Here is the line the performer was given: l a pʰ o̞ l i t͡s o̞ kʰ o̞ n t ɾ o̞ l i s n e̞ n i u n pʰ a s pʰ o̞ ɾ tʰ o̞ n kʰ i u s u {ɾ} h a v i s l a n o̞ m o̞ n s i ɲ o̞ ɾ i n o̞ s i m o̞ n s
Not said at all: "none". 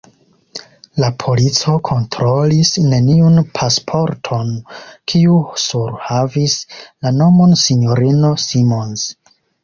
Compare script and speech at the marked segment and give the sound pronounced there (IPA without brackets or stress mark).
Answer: ɾ